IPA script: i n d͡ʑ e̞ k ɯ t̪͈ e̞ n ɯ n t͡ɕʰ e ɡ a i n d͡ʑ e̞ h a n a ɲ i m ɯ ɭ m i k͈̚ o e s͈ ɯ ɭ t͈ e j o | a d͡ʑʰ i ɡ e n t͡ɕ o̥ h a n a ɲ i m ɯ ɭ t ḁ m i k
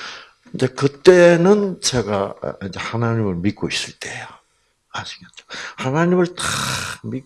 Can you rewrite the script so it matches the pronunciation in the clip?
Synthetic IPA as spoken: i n d͡ʑ e̞ k ɯ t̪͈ e̞ n ɯ n t͡ɕ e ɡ a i n d͡ʑ e̞ h a n a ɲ i m ɯ ɭ m i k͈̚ o i s͈ ɯ ɭ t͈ e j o | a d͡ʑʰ i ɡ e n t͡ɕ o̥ h a n a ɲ i m ɯ ɭ t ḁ m i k

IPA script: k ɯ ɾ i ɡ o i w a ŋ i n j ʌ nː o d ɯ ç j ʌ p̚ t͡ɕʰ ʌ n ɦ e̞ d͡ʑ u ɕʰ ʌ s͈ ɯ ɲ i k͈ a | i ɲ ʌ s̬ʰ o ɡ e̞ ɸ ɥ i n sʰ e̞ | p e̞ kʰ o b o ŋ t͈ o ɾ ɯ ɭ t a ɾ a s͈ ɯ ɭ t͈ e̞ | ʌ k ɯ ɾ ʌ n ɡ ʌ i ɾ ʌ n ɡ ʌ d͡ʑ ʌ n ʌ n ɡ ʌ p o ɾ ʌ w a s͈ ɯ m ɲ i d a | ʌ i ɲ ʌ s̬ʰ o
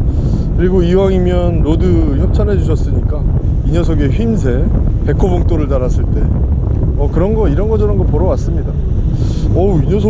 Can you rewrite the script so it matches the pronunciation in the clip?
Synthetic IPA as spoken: k ɯ ɾ i ɡ o i w a ŋ i m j ʌ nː o d ɯ ç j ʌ p̚ t͡ɕʰ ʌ n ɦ e̞ d͡ʑ u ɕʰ ʌ s͈ ɯ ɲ i k͈ a | i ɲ ʌ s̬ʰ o ɡ e̞ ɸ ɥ i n sʰ e̞ | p e̞ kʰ o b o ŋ t͈ o ɾ ɯ ɭ t a ɾ a s͈ ɯ ɭ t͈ e̞ | ʌ k ɯ ɾ ʌ n ɡ ʌ i ɾ ʌ n ɡ ʌ d͡ʑ ʌ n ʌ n ɡ ʌ p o ɾ ʌ w a s͈ ɯ m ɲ i d a | ʌ i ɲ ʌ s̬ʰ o

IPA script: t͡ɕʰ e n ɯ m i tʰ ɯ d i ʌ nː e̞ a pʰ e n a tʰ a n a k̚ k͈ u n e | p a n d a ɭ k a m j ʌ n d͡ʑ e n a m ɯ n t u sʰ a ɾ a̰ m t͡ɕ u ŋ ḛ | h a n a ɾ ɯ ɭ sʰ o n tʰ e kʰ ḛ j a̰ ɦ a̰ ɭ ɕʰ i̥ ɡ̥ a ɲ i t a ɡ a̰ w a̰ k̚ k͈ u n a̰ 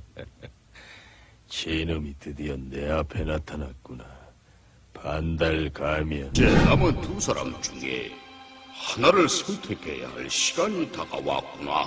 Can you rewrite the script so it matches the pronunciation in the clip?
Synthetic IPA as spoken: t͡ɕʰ e n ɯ m i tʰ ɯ d i ʌ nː e̞ a pʰ e n a tʰ a n a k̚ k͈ u n a | p a n d a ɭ k a m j ʌ n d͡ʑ e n a m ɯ n t u sʰ a ɾ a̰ m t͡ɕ u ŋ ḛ | h a n a ɾ ɯ ɭ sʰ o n tʰ e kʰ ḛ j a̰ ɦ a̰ ɭ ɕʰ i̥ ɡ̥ a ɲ i t a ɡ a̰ w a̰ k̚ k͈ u n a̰

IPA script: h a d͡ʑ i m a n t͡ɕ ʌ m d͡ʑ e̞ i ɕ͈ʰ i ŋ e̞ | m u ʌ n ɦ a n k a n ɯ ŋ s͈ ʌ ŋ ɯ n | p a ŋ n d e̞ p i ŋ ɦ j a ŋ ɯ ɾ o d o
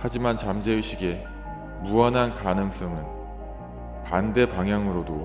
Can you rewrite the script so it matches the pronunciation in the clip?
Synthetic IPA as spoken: h a d͡ʑ i m a n t͡ɕ a m d͡ʑ e̞ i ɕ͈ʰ i ɡ e̞ | m u ʌ n ɦ a n k a n ɯ ŋ s͈ ʌ ŋ ɯ n | p a n d e̞ p a ŋ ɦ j a ŋ ɯ ɾ o d o

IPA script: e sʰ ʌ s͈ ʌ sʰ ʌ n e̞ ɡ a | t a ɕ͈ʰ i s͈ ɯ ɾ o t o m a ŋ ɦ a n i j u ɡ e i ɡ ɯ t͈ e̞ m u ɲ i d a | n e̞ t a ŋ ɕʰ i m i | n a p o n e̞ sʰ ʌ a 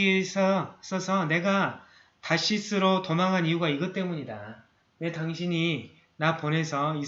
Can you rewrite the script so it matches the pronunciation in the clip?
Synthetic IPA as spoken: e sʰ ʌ s͈ ʌ sʰ ʌ n e̞ ɡ a | t a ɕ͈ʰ i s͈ ɯ ɾ o t o m a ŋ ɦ a n i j u ɡ a i ɡ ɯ t͈ e̞ m u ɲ i d a | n e̞ t a ŋ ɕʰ i ɲ i | n a p o n e̞ sʰ ʌ i

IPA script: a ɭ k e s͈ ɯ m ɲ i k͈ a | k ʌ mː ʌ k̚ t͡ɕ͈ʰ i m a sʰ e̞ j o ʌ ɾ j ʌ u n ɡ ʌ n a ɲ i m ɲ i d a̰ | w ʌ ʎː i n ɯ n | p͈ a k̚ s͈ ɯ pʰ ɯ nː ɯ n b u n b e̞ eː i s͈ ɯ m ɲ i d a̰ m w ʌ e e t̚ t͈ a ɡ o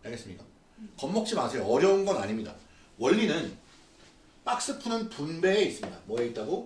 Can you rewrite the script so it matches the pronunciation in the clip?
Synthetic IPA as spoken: a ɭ ɡ e s͈ ɯ m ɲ i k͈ a | k ʌ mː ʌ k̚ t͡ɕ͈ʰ i m a sʰ e̞ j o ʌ ɾ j ʌ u n ɡ ʌ n a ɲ i m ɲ i d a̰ | w ʌ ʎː i n ɯ n | p͈ a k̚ s͈ ɯ pʰ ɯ n ɯ n p u n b e̞ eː i s͈ ɯ m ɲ i d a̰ m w ʌ e i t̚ t͈ a ɡ o

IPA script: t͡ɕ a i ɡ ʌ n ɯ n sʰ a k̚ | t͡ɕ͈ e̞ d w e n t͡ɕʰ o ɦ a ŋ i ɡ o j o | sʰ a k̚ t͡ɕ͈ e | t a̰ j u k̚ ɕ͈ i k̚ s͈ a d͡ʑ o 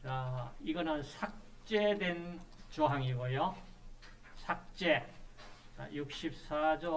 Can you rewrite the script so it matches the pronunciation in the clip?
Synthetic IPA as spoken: t͡ɕ a i ɡ ʌ n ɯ n sʰ a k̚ | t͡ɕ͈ e̞ d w e n t͡ɕ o ɦ a ŋ i ɡ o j o | sʰ a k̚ t͡ɕ͈ e | t͡ɕ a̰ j u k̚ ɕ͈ i p̚ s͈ a d͡ʑ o

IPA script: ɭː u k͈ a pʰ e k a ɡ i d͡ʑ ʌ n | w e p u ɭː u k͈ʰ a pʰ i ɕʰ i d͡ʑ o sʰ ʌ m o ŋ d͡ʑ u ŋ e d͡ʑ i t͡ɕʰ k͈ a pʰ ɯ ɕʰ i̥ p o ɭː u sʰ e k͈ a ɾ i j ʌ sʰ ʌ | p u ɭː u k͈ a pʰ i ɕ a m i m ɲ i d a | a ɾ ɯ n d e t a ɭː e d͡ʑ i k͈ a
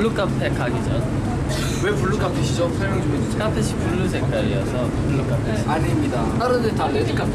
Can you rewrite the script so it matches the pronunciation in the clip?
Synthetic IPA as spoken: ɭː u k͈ a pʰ e k a ɡ i d͡ʑ ʌ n | w e p u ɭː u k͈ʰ a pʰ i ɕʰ i d͡ʑ o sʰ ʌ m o ŋ d͡ʑ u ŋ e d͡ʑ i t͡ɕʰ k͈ a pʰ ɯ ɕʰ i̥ p u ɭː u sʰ e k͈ a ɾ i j ʌ sʰ ʌ | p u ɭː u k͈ a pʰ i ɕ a ɲ i m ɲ i d a | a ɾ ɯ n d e t a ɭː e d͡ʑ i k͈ a

